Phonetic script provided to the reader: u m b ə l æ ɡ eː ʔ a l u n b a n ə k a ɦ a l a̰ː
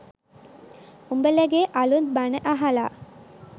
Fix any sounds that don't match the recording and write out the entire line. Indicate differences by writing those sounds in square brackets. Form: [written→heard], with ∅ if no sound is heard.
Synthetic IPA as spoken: u m b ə l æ ɡ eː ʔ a l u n b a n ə [k→ʔ] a ɦ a l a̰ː